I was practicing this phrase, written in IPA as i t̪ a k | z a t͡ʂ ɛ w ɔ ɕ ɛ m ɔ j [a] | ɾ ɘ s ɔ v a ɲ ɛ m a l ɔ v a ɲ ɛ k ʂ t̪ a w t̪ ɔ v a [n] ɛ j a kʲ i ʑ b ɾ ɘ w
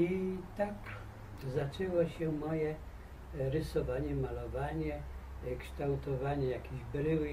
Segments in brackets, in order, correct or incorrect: incorrect: ɛ, incorrect: ɲ

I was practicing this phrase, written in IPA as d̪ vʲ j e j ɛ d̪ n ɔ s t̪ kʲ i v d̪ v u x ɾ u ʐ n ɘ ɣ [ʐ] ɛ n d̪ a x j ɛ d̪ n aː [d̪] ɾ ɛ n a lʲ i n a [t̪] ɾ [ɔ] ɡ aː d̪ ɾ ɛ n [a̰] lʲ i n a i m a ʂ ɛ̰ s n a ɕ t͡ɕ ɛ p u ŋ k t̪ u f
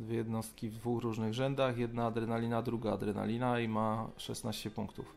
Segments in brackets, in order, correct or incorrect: correct, correct, incorrect: d̪, incorrect: u, correct

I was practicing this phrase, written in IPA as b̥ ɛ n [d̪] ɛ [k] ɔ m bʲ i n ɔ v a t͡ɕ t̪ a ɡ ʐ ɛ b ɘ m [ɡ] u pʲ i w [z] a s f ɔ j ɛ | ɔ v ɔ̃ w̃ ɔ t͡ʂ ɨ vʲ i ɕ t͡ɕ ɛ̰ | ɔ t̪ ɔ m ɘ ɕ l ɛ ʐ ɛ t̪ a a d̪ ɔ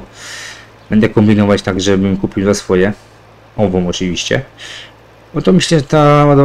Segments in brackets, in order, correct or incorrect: correct, correct, incorrect: k, correct

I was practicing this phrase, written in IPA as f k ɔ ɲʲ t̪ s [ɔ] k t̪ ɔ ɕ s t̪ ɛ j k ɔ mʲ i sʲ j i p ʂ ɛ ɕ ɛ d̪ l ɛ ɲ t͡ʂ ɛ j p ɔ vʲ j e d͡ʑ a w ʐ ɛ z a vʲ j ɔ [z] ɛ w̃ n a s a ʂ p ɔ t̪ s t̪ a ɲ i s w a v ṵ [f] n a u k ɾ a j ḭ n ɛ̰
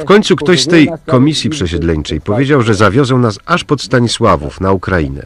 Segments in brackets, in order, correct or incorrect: incorrect: u, correct, correct

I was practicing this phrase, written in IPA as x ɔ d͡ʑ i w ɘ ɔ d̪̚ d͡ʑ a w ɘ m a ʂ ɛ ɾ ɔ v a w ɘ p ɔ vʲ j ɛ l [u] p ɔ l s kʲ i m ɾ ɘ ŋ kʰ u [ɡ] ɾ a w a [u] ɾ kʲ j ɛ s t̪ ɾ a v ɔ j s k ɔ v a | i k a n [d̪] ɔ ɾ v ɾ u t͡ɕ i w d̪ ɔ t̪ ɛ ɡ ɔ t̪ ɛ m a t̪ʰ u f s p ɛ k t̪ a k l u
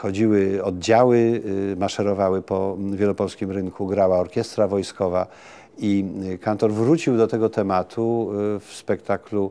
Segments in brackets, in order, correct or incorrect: incorrect: ɔ, correct, incorrect: ɔ, incorrect: t̪

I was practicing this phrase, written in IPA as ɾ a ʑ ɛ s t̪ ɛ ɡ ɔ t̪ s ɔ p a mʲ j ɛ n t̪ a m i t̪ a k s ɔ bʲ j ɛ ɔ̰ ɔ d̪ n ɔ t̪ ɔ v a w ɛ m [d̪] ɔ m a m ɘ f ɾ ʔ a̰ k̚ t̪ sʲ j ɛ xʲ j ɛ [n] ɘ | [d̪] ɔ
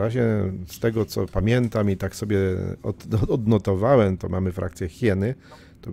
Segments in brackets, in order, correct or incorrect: incorrect: t̪, correct, incorrect: t̪

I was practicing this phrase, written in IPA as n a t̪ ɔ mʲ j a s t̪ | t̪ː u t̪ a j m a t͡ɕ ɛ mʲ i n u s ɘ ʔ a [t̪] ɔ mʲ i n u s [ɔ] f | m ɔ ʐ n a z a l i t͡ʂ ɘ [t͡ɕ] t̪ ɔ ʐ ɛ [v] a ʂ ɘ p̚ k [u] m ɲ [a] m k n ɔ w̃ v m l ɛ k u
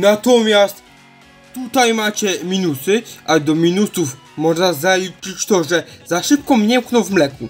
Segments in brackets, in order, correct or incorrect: incorrect: d̪, incorrect: u, correct, incorrect: z, incorrect: ɔ, incorrect: ɛ

